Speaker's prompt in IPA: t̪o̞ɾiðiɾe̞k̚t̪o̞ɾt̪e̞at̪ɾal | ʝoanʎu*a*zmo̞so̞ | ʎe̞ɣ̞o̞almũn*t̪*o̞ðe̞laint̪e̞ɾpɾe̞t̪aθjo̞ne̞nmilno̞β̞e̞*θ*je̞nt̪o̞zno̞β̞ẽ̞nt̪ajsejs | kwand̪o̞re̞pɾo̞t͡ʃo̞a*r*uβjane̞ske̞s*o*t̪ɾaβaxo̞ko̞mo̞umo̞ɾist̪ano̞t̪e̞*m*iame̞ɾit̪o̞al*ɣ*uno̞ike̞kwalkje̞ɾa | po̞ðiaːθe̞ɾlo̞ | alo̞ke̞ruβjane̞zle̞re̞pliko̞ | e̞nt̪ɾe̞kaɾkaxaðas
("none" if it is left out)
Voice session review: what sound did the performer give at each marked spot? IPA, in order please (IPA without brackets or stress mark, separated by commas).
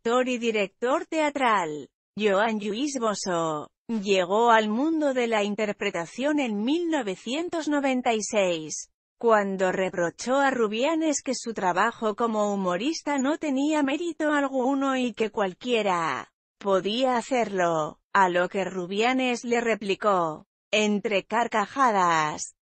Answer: i, d̪, θ, r, u, n, ɣ